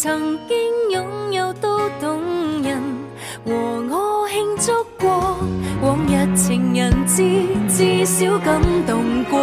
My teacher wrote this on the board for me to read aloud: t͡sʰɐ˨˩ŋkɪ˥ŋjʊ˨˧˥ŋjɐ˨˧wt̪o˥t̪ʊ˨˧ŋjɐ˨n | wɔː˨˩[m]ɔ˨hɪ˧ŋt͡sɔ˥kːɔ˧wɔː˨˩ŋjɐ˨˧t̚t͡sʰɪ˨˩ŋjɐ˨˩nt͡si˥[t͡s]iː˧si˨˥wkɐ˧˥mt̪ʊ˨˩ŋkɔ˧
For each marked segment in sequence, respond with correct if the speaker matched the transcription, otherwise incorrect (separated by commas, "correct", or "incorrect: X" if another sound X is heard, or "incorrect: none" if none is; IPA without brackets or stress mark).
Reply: incorrect: ŋ, correct